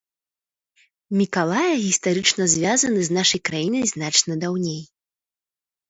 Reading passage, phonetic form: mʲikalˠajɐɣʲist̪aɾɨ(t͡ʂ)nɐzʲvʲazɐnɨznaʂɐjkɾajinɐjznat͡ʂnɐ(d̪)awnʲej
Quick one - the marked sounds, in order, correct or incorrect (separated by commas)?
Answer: correct, correct